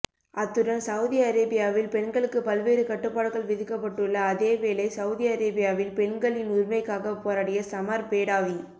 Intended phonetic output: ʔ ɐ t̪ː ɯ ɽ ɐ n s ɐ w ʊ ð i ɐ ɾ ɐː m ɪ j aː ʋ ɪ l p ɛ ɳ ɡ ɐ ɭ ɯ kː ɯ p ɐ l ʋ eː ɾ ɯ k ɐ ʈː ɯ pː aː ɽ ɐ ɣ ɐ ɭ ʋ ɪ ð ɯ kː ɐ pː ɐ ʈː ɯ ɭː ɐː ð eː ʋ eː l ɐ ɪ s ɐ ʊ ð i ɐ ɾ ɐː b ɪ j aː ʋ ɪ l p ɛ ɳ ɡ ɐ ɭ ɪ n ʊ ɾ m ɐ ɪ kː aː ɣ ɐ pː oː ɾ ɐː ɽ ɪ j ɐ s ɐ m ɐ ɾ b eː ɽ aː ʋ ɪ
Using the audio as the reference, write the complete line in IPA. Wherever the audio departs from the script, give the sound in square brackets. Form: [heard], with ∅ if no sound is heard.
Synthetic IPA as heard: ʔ ɐ t̪ː ɯ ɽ ɐ n s ɐ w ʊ ð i ɐ ɾ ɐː [b] ɪ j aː ʋ ɪ l p ɛ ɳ ɡ ɐ ɭ ɯ kː ɯ p ɐ l ʋ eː ɾ ɯ k ɐ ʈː ɯ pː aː ɽ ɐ ɣ ɐ ɭ ʋ ɪ ð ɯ kː ɐ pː ɐ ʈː ɯ ɭː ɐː ð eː ʋ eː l ɐ ɪ s ɐ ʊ ð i ɐ ɾ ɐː b ɪ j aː ʋ ɪ l p ɛ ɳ ɡ ɐ ɭ ɪ n ʊ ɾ m ɐ ɪ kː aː ɣ ɐ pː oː ɾ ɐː ɽ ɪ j ɐ s ɐ m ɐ ɾ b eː ɽ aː ʋ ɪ